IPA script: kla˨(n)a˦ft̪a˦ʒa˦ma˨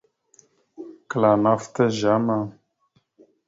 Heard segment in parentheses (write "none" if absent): n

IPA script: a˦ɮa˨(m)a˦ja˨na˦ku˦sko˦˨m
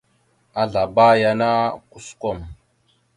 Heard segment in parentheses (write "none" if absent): b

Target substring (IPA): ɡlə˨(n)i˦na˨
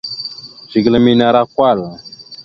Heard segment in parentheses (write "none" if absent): m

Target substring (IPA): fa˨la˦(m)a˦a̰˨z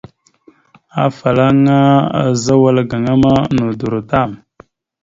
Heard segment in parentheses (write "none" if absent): ŋ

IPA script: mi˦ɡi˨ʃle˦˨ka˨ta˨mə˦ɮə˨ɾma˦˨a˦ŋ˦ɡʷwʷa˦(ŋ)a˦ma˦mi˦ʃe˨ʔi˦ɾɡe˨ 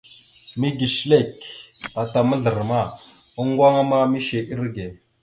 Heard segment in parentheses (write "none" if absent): ŋ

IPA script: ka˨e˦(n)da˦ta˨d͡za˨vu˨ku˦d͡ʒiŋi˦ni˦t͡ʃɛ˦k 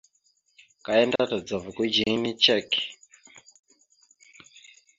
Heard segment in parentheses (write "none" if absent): n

